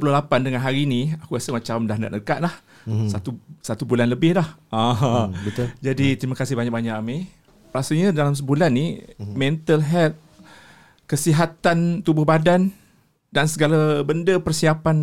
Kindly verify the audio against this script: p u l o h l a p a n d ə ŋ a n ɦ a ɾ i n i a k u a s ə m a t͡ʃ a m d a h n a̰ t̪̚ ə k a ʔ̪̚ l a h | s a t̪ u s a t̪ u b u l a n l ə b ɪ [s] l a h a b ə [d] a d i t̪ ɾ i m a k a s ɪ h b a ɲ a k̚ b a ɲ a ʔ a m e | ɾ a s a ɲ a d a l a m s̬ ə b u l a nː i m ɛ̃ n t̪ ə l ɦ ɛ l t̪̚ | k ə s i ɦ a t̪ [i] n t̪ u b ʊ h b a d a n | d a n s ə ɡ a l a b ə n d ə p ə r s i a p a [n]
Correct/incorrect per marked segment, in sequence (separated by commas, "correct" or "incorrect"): incorrect, incorrect, incorrect, correct